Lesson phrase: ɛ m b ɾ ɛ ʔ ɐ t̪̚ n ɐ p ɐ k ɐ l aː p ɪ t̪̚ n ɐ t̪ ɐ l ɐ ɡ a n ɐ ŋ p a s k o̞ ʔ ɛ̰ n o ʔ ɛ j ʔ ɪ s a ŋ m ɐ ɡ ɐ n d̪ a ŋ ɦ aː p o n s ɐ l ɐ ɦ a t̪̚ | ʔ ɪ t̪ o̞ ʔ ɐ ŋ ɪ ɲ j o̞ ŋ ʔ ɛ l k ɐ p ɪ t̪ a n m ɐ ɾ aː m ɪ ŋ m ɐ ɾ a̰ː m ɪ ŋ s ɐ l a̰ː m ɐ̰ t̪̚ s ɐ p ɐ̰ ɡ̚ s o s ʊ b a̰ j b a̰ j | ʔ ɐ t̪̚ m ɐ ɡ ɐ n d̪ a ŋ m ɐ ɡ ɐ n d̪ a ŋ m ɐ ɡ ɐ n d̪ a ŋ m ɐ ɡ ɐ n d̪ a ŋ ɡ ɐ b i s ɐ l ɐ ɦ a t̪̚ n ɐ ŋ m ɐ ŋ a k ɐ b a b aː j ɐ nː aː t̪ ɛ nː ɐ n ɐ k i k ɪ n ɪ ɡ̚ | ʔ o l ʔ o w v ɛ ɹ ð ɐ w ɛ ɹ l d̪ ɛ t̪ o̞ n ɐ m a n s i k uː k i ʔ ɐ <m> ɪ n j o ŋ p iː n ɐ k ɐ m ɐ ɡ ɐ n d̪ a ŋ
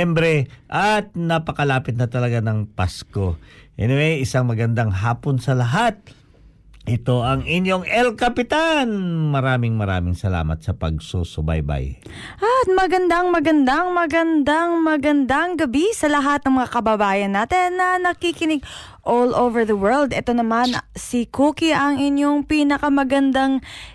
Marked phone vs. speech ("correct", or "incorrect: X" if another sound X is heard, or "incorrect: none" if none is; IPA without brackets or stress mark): incorrect: ŋ